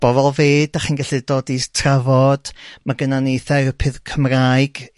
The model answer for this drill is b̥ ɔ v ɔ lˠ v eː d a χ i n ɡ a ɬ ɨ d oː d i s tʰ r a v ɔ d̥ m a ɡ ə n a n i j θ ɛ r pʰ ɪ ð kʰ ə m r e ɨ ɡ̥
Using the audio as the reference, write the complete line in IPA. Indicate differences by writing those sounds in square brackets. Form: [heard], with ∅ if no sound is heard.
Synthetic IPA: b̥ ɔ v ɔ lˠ v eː d a χ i n ɡ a ɬ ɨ d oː d i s tʰ r a v ɔ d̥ m a ɡ ə n a n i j θ ɛ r pʰ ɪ ð kʰ ə m r [a] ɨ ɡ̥